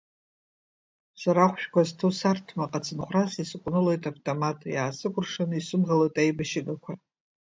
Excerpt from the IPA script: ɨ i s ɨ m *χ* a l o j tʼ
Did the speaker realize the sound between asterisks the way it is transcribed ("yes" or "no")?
no